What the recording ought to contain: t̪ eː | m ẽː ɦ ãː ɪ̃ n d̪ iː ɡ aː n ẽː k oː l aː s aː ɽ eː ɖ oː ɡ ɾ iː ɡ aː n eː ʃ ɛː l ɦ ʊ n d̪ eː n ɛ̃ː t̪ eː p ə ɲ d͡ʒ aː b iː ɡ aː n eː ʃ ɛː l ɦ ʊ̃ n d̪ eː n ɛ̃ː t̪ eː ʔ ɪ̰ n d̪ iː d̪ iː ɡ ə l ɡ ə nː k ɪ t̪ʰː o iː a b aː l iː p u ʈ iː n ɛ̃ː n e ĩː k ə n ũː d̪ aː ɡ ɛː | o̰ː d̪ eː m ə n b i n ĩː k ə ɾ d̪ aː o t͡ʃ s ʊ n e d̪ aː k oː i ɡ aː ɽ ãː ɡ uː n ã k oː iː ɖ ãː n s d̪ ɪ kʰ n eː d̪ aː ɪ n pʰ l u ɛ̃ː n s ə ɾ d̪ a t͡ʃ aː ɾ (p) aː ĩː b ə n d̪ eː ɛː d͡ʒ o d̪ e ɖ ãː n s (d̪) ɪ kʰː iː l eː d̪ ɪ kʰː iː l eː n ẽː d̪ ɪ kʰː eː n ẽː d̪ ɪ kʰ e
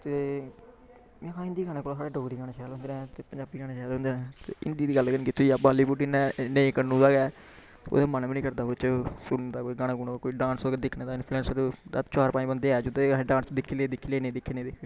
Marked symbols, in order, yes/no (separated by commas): yes, yes